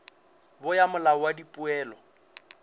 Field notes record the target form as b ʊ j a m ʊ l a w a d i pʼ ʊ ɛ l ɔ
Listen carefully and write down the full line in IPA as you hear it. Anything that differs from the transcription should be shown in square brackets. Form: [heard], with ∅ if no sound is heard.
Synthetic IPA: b ʊ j a m ʊ l a w a d i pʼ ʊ [ɛː] l ɔ